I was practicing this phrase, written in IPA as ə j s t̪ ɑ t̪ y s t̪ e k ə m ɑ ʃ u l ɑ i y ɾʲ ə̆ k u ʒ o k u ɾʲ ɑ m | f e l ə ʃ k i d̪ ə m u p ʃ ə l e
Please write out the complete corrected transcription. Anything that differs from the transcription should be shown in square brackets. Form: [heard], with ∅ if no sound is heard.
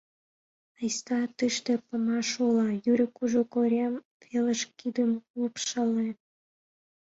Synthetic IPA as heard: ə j s t̪ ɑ t̪ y [ʃ] t̪ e [p] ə m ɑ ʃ u l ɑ [j] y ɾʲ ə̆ k u ʒ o k [o] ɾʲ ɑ m | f e l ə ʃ k i d̪ ə m u p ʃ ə l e

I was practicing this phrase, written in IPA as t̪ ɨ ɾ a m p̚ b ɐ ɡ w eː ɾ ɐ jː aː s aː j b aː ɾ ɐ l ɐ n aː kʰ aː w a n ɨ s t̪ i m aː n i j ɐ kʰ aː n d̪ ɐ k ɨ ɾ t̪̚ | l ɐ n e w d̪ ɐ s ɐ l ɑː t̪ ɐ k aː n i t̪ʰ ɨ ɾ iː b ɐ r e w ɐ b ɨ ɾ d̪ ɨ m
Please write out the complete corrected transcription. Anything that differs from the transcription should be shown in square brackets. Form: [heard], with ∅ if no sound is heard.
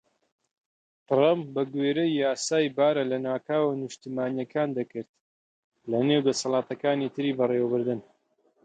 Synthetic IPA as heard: t̪ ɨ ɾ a m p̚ b ɐ ɡ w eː ɾ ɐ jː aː s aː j b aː ɾ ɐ l ɐ n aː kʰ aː w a n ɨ [ʃ] t̪ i m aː n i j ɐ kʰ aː n d̪ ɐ k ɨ ɾ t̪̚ | l ɐ n e w d̪ ɐ s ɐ l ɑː t̪ ɐ k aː n i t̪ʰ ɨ ɾ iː b ɐ r e w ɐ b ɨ ɾ d̪ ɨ [n]

